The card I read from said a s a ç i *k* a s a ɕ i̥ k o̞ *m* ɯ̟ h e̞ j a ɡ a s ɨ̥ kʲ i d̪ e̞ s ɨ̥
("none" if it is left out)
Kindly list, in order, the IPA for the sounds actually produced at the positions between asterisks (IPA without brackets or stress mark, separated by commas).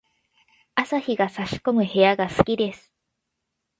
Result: ɡ, m